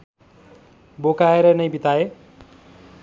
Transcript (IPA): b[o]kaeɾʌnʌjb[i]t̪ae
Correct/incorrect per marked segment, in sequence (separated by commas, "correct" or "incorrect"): correct, correct